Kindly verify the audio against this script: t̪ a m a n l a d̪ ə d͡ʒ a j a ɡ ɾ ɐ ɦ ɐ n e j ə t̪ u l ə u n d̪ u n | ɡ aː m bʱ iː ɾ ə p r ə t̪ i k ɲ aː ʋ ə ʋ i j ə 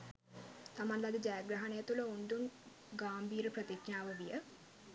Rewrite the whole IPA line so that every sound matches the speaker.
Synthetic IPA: t̪ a m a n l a d̪ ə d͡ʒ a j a ɡ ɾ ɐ ɦ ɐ n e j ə t̪ u l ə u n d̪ u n | ɡ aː m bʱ iː ɾ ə p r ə t̪ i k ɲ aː ʋ ə ʋ i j ə